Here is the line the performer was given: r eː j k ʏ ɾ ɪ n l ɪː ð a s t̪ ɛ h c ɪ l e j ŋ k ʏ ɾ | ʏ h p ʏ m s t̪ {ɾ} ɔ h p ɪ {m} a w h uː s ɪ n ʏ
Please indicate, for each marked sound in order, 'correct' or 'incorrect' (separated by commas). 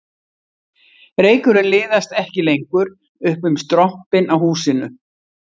correct, incorrect